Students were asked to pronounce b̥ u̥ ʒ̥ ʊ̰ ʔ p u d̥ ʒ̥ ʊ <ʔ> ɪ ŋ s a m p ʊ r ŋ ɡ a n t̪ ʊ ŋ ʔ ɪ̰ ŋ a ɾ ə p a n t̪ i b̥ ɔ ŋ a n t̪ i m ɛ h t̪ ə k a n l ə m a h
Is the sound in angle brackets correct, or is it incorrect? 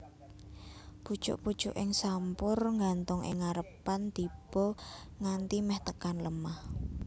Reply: correct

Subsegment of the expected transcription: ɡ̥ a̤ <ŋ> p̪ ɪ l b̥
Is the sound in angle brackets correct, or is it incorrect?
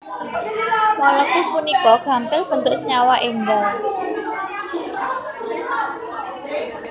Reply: incorrect: m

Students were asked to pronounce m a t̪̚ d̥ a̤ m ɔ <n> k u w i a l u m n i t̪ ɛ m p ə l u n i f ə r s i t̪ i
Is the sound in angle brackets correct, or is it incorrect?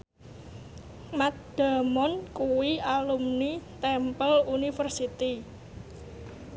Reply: correct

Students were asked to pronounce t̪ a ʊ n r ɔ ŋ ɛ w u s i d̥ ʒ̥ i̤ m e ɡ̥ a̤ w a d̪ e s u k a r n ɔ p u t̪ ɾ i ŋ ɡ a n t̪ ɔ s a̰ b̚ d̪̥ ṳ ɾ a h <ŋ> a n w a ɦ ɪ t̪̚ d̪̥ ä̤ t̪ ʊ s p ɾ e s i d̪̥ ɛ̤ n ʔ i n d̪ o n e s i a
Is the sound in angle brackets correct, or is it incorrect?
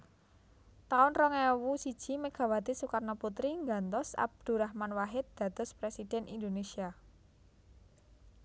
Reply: incorrect: m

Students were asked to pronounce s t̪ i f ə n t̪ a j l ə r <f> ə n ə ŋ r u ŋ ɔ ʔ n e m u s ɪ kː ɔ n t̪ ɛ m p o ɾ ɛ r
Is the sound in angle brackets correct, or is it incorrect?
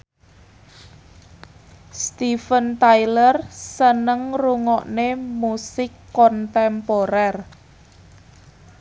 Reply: incorrect: s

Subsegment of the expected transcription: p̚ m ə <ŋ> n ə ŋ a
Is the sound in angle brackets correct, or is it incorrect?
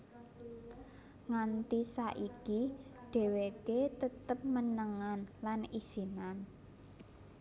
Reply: incorrect: none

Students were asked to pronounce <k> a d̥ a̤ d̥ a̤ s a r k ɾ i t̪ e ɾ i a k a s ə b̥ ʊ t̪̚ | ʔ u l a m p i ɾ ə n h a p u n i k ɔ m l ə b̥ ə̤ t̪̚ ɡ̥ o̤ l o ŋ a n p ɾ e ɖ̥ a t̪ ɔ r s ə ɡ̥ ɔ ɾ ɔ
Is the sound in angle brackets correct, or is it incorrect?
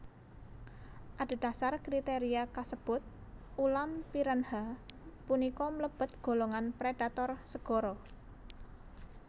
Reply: incorrect: ʔ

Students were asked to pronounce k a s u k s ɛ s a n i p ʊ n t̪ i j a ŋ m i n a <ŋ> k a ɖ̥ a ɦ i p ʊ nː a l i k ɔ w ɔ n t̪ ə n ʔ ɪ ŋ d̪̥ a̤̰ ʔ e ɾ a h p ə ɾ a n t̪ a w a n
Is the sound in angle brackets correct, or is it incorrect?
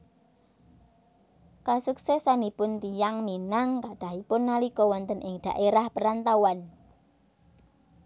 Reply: correct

